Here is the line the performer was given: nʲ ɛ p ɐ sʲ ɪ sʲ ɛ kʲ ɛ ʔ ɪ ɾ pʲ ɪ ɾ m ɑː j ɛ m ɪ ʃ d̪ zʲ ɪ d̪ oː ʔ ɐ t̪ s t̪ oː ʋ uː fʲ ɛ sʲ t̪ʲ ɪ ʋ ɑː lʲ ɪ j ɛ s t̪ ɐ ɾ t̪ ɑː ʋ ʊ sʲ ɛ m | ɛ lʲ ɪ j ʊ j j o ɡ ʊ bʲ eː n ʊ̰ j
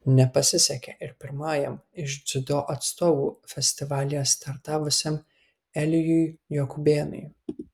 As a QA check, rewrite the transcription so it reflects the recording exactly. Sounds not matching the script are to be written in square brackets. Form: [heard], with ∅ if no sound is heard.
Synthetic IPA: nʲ ɛ p ɐ sʲ ɪ sʲ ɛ kʲ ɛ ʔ ɪ ɾ pʲ ɪ ɾ m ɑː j ɛ m ɪ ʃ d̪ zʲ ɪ d̪ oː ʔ ɐ t̪ s t̪ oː ʋ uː fʲ ɛ sʲ t̪ʲ ɪ ʋ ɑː lʲ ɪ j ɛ s t̪ ɐ ɾ t̪ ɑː ʋ ʊ sʲ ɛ m | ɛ lʲ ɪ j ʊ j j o [k] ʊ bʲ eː n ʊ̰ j